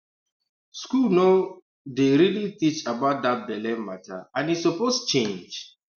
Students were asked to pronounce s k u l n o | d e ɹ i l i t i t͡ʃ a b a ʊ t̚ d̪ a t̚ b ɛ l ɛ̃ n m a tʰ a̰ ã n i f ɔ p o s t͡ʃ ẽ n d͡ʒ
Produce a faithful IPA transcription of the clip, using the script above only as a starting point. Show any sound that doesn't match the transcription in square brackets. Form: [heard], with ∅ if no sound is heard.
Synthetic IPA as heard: s k u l n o | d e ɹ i l i t i t͡ʃ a b a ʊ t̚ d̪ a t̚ b ɛ l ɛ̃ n m a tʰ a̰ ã n i [s] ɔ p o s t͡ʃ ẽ n d͡ʒ